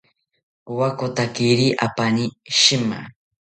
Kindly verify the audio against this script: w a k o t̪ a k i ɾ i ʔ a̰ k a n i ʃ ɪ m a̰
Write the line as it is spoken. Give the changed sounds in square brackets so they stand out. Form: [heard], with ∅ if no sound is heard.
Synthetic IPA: w a k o t̪ a k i ɾ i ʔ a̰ [p] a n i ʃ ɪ m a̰